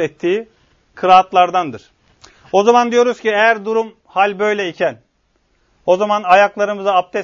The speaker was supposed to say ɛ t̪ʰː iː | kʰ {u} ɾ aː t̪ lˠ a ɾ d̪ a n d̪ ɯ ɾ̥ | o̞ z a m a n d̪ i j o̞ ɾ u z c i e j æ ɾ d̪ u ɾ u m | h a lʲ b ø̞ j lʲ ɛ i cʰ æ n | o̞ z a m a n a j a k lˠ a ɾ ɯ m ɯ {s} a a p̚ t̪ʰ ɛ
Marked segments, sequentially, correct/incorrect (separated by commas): incorrect, incorrect